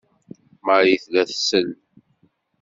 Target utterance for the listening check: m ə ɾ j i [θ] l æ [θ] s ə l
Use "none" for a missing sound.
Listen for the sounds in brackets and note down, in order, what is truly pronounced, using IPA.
θ, θ

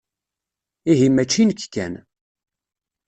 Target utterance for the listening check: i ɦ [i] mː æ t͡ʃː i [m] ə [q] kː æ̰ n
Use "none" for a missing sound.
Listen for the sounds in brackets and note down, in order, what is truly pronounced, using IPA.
i, n, k

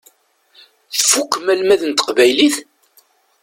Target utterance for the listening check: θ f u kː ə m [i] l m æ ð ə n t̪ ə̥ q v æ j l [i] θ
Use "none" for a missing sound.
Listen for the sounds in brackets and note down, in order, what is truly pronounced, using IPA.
æ, i

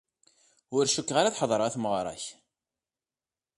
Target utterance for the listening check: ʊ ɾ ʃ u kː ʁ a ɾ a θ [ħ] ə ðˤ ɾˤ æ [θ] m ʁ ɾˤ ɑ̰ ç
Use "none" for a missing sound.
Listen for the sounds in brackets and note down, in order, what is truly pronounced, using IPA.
ħ, θ

